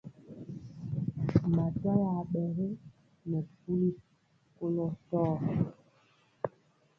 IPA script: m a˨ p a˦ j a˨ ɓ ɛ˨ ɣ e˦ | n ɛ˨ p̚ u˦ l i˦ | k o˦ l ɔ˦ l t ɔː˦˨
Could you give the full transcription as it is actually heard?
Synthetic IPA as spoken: m a˨ t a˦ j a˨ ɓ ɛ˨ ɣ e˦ | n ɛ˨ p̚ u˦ l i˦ | k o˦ l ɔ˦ t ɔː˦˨